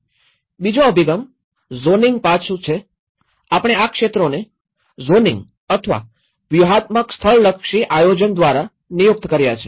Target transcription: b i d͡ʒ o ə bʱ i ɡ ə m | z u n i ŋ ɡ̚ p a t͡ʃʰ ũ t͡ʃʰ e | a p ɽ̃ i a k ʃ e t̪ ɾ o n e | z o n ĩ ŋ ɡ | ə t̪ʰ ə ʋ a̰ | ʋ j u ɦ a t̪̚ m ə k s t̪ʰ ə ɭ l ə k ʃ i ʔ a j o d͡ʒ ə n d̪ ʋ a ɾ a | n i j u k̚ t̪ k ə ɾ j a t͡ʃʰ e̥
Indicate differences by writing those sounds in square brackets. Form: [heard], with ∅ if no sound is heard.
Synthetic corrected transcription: b i d͡ʒ o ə bʱ i ɡ ə m | z [o] n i ŋ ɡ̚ p a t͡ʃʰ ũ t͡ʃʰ e | a p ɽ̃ [e] a k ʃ e t̪ ɾ o n e | z o n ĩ ŋ ɡ | ə t̪ʰ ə ʋ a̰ | ʋ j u ɦ a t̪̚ m ə k s t̪ʰ ə ɭ l ə k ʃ i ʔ a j o d͡ʒ ə n d̪ ʋ a ɾ a | n i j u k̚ t̪ k ə ɾ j a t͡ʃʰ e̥